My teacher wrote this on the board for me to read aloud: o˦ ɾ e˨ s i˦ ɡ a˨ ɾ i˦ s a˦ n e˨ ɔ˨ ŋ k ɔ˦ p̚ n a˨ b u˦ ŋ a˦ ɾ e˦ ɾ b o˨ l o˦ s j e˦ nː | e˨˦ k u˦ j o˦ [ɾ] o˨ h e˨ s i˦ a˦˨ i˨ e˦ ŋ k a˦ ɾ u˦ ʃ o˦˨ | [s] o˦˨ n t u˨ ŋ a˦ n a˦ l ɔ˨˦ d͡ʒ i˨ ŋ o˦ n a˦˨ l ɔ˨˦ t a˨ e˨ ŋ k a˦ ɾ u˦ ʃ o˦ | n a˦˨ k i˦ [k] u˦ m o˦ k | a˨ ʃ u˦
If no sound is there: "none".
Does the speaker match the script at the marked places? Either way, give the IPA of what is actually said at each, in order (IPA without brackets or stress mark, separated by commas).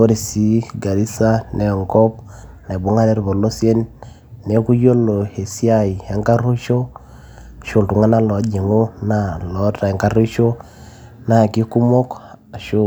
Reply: l, ʃ, k